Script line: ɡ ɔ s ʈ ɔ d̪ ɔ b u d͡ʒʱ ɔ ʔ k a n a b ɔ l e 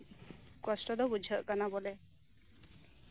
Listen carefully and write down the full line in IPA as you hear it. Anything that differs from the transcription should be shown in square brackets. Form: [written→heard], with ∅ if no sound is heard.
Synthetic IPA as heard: [ɡ→k] ɔ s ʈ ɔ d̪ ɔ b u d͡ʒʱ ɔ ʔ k a n a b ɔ l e